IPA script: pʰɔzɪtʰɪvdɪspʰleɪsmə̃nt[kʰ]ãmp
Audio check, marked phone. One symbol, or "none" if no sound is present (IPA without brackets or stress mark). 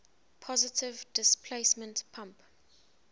pʰ